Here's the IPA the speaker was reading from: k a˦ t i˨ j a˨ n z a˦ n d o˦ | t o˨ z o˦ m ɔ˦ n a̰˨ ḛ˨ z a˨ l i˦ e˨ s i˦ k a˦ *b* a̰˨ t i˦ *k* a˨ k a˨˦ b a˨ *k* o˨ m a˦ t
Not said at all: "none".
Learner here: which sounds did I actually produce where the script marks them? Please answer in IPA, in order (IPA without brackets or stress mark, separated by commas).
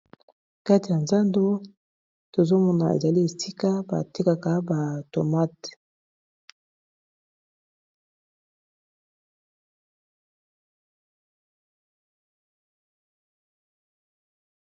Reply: b, k, t